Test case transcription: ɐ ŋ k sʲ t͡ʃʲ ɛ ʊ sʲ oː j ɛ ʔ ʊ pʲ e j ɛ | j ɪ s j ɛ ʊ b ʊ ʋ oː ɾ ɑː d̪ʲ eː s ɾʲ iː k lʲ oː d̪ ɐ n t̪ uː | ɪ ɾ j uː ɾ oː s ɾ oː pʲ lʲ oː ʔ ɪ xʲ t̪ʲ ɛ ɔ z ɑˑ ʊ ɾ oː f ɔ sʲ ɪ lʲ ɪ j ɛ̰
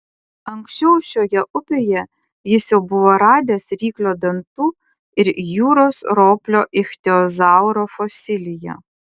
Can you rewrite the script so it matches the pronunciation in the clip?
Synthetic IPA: ɐ ŋ k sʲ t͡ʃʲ ɛ ʊ ʃʲ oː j ɛ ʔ ʊ pʲ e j ɛ | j ɪ s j ɛ ʊ b ʊ ʋ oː ɾ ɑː d̪ʲ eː s ɾʲ iː k lʲ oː d̪ ɐ n t̪ uː | ɪ ɾ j uː ɾ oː s ɾ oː pʲ lʲ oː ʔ ɪ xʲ t̪ʲ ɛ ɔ z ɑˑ ʊ ɾ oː f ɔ sʲ ɪ lʲ ɪ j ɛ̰